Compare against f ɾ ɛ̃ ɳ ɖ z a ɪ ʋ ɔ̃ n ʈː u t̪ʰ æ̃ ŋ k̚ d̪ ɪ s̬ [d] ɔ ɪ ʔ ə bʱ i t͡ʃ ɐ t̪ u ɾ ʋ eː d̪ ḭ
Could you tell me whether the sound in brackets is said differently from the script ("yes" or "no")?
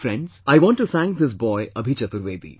yes